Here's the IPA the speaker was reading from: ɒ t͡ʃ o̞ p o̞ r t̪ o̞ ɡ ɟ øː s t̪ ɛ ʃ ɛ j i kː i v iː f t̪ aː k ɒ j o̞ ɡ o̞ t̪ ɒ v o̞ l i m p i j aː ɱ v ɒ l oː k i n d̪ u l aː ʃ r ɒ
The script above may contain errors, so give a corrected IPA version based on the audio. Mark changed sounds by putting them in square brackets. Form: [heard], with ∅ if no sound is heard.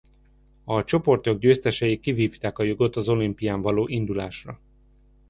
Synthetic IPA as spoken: ɒ t͡ʃ o̞ p o̞ r t̪ o̞ ɡ ɟ øː s t̪ ɛ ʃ ɛ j i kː i v iː f t̪ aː k ɒ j o̞ ɡ o̞ t̪ ɒ [z] o̞ l i m p i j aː ɱ v ɒ l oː [ʔ] i n d̪ u l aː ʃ r ɒ